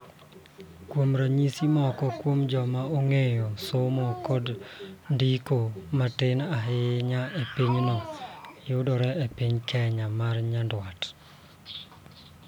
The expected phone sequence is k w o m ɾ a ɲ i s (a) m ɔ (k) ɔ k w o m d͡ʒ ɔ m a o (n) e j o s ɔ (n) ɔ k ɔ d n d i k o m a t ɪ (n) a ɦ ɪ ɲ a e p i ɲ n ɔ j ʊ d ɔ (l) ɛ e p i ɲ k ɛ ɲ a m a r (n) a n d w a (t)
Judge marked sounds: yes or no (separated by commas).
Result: no, yes, no, no, yes, no, no, yes